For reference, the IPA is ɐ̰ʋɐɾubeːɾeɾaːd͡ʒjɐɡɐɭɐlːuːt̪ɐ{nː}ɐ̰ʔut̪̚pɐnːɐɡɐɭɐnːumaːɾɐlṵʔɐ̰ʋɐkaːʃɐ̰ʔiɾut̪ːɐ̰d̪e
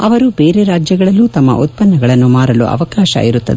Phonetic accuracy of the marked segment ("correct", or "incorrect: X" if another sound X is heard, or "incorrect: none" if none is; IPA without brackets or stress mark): incorrect: mː